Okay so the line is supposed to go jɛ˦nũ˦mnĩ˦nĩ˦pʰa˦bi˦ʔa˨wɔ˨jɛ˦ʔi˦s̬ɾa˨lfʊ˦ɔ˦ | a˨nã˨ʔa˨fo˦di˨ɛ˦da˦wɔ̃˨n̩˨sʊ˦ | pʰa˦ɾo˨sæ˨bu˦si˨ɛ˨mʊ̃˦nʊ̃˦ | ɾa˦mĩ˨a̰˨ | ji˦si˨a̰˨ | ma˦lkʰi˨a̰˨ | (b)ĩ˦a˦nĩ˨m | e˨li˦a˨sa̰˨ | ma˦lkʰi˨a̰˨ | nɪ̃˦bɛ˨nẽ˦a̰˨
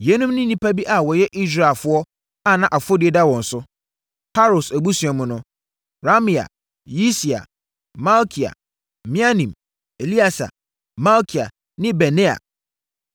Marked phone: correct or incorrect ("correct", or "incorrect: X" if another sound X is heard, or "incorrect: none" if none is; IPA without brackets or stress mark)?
incorrect: m